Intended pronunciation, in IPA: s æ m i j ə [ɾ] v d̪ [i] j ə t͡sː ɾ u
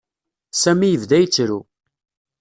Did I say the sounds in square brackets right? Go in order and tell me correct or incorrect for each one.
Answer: incorrect: none, incorrect: æ

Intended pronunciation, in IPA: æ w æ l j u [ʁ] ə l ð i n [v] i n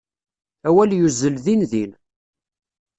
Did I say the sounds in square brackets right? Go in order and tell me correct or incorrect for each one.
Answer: incorrect: z, incorrect: ð

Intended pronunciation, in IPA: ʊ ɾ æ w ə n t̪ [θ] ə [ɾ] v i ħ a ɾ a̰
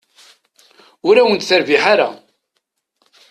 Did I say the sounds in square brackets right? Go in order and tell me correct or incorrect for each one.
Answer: correct, correct

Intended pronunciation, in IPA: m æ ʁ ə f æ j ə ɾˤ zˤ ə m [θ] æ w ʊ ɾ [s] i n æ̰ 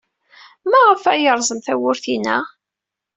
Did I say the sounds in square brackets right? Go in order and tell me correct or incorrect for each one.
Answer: correct, incorrect: θ

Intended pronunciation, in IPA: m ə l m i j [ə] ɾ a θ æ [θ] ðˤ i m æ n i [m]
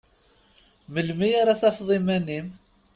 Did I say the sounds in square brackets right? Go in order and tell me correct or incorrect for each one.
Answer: incorrect: a, incorrect: f, correct

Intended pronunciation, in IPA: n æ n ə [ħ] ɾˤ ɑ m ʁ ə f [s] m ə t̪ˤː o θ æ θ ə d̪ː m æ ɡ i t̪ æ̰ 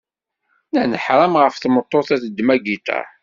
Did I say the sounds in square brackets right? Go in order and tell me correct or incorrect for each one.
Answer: correct, incorrect: θ

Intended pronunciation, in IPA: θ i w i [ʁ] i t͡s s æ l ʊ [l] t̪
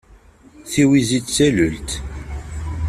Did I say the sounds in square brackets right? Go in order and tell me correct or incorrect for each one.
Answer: incorrect: z, correct

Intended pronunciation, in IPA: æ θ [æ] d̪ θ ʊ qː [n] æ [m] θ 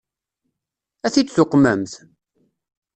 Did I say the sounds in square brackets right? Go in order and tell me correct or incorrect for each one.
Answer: incorrect: i, incorrect: m, correct

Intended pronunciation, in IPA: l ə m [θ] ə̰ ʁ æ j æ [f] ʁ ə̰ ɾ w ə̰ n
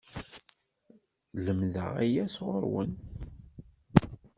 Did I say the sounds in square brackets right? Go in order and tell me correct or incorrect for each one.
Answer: incorrect: ð, incorrect: s

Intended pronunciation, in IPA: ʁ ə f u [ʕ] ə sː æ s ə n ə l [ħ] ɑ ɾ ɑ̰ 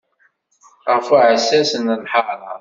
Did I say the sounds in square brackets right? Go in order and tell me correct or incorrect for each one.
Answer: correct, correct

